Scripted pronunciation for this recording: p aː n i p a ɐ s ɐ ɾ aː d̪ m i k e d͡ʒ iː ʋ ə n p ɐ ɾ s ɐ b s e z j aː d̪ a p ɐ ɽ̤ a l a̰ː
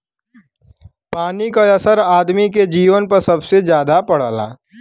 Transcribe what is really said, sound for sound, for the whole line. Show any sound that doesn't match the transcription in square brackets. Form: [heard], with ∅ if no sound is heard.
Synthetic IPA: p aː n i [k] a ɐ s [ə] ɾ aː d̪ m i k e d͡ʒ iː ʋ ə n p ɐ ɾ s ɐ b s e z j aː d̪ a p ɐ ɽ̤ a l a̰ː